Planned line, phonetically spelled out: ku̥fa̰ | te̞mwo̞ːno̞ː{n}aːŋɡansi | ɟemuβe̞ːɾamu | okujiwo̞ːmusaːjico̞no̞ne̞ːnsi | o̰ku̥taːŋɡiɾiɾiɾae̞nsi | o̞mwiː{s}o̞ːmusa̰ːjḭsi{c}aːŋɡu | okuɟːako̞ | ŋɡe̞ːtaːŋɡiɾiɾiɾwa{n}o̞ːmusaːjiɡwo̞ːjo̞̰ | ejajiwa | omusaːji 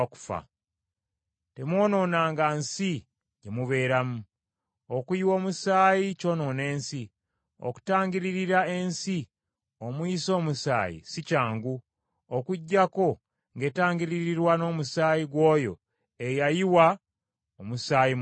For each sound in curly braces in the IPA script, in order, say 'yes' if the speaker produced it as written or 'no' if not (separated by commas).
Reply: yes, yes, yes, yes